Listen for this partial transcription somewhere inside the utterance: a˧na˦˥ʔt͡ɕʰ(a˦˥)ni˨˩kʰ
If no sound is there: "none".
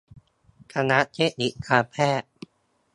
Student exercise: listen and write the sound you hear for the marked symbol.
e˦˥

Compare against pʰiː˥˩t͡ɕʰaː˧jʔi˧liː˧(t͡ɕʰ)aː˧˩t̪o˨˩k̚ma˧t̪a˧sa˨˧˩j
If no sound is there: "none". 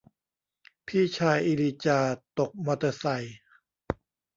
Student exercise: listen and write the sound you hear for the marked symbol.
t͡ɕ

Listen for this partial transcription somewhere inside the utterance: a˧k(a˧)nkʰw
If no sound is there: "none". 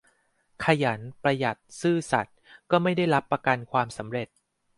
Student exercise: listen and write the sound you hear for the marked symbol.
a˧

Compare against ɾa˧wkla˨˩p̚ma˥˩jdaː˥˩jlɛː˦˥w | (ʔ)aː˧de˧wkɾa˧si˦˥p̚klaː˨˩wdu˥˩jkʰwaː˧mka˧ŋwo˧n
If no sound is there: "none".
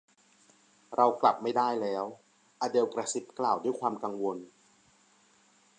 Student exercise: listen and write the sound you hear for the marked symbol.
ʔ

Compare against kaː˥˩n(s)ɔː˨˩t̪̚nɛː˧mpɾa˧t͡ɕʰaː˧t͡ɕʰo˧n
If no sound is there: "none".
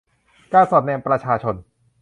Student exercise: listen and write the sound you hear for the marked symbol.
s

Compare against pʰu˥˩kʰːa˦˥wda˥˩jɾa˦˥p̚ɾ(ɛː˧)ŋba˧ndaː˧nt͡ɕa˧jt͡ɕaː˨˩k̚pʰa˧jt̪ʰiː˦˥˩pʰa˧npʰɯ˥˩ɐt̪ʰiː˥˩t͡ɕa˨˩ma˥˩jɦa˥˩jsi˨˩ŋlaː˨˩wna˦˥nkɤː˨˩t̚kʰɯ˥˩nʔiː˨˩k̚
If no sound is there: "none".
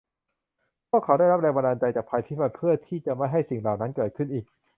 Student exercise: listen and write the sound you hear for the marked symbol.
ɛː˧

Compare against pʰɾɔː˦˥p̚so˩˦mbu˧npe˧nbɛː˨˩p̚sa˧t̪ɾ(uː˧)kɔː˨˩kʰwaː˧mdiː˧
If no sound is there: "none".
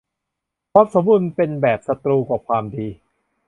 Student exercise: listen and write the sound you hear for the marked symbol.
uː˧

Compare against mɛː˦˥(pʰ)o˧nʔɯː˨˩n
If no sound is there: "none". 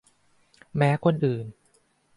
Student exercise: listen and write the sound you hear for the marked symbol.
kʰ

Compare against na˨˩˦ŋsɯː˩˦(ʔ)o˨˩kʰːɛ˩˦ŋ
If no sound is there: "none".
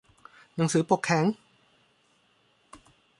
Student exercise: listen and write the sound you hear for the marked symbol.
p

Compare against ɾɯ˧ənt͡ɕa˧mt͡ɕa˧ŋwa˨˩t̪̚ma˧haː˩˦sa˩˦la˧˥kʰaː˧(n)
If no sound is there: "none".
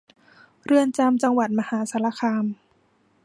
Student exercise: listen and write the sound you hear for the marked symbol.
m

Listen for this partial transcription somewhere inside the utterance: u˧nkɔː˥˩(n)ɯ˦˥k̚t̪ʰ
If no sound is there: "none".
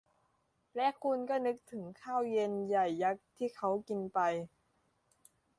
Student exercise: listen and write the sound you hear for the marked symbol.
n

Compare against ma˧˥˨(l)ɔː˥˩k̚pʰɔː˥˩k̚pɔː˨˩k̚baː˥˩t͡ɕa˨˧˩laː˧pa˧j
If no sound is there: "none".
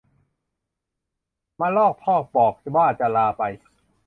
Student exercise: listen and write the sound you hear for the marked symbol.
l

